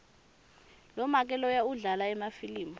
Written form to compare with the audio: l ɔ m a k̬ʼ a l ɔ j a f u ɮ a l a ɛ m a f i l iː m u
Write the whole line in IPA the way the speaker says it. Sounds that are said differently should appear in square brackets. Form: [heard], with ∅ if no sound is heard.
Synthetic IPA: l ɔ m a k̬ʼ [ɛ] l ɔ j a [∅] u ɮ a l a ɛ m a f i l iː m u

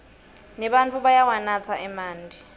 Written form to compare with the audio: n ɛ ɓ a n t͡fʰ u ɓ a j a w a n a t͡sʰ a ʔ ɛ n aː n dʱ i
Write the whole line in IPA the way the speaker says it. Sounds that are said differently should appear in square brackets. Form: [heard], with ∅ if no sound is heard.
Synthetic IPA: n ɛ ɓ a n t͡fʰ u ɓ a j a w a n a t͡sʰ a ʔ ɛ [m] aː n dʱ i

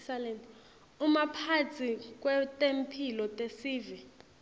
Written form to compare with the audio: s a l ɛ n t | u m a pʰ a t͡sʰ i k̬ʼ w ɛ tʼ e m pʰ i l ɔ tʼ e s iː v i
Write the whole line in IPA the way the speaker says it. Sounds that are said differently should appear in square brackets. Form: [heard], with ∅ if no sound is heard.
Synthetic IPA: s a l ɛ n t | u m a pʰ a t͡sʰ i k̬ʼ w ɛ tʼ e m pʰ i l ɔ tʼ e s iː v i

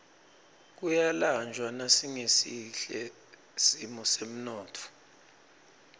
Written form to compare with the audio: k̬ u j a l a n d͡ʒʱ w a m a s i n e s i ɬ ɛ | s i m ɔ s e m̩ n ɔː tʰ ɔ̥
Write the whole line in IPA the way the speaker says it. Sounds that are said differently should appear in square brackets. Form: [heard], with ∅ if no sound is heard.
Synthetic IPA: k̬ u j a l a n d͡ʒʱ w a [n] a s i [ŋ] e s i ɬ ɛ | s i m ɔ s e m̩ n ɔː tʰ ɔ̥

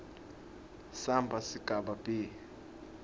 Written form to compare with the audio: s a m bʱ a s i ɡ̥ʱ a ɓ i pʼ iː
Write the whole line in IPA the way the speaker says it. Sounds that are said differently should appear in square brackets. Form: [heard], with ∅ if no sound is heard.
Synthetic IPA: s a m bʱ a s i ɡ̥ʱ a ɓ [a] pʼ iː

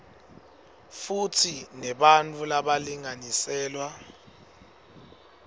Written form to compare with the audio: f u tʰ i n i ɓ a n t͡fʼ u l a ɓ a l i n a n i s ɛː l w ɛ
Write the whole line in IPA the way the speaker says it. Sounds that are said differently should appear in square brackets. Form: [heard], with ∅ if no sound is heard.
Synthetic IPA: f u tʰ i n [ɛ] ɓ a n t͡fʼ u l a ɓ a l i [ŋ] a n i s ɛː l w [a]

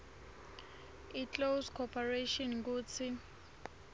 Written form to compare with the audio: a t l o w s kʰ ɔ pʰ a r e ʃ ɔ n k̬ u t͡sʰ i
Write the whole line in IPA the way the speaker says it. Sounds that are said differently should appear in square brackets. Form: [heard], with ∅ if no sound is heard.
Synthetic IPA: [i] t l o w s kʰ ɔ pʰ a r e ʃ ɔ n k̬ [uː] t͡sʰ i

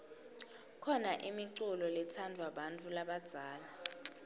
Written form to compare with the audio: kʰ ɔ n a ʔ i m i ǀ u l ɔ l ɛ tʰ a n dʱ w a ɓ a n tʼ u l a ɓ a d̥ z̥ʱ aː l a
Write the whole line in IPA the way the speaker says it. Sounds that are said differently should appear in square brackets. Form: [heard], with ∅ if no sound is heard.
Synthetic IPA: kʰ ɔ n a ʔ i m i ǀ u l ɔ l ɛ tʰ a n dʱ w a ɓ a n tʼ u l a ɓ a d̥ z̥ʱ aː l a

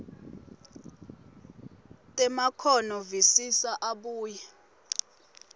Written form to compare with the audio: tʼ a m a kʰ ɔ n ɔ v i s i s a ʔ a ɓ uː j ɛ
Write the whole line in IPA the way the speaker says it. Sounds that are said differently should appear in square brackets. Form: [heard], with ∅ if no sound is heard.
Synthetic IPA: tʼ [ɛ] m a kʰ ɔ n ɔ v i s i s a ʔ a ɓ uː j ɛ

